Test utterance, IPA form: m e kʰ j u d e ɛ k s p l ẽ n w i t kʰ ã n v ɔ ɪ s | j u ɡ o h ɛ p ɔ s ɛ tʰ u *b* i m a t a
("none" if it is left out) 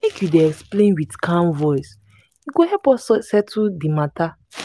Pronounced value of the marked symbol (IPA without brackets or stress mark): d